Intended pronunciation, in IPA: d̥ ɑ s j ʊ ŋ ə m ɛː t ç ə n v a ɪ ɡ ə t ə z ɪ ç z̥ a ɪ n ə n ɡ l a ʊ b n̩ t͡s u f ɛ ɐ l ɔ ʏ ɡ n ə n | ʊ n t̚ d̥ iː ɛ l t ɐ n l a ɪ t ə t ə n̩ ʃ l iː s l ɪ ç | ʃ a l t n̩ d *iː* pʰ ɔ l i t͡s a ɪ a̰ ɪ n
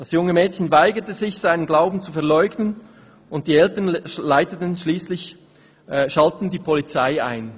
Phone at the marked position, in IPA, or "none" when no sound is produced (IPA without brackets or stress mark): iː